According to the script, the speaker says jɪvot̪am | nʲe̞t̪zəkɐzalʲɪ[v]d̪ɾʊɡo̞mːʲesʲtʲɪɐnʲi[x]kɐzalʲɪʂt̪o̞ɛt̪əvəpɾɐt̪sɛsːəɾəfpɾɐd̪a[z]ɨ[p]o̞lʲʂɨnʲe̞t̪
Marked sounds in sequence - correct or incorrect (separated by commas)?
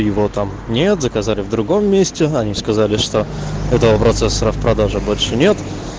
correct, incorrect, incorrect, incorrect